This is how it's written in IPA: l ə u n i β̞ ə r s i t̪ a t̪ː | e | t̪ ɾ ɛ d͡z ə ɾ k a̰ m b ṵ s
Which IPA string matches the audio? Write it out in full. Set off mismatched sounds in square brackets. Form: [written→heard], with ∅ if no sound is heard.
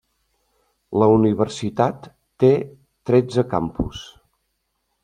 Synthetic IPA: l ə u n i β̞ ə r s i t̪ a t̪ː | e | t̪ ɾ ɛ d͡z ə [ɾ→∅] k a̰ m [b→p] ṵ s